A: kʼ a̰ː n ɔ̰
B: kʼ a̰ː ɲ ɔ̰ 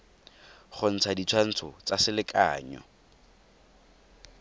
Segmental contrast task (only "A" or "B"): B